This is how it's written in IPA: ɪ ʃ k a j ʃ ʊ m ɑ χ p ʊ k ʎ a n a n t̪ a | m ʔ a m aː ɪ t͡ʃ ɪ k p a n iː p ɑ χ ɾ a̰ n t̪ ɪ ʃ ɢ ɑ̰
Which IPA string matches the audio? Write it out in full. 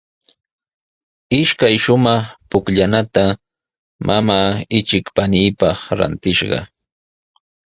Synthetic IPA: ɪ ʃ k a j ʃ ʊ m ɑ χ p ʊ k ʎ a n a t̪ a | m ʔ a m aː ɪ t͡ʃ ɪ k p a n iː p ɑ χ ɾ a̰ n t̪ ɪ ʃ ɢ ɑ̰